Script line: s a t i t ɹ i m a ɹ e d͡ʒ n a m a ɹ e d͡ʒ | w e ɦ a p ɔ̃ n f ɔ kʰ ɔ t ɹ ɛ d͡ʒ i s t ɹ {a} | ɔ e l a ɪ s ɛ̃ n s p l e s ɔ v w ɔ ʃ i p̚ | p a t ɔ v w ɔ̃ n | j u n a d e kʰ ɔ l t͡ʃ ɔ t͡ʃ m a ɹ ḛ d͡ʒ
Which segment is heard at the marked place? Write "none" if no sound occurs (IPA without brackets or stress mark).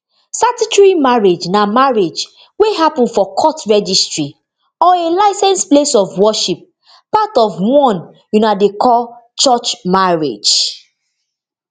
i